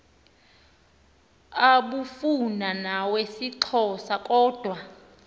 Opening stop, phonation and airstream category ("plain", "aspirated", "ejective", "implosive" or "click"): implosive